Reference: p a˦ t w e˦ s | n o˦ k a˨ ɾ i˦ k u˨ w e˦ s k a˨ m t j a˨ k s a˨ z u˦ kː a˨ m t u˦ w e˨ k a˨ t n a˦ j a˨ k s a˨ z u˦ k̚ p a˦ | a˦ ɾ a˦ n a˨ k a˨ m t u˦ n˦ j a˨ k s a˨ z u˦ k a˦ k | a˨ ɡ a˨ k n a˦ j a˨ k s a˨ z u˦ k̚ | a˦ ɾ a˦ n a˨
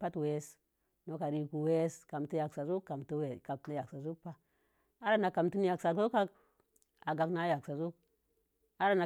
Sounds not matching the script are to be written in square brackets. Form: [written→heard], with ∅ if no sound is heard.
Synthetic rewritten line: p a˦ t w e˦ s | n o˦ k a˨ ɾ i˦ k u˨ w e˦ s k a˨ m t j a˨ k s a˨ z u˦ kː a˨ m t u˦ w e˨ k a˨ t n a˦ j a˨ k s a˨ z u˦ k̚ p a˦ | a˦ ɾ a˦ n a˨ k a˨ m t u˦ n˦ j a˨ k s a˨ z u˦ k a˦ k | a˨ ɡ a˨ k n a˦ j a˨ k s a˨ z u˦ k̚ | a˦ ɾ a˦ n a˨